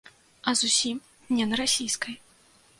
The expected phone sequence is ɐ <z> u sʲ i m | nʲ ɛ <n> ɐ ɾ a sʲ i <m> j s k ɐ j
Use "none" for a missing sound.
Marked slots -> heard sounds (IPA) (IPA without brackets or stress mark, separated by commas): z, n, none